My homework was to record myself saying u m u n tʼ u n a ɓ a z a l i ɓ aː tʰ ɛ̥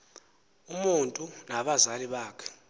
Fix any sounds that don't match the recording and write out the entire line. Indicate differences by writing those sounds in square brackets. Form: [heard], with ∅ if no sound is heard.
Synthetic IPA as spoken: u m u n tʼ u n a ɓ a z a l i ɓ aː [kʰ] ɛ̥